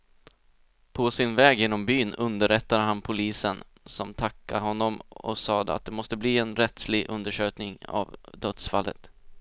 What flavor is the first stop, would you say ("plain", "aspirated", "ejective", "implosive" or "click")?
aspirated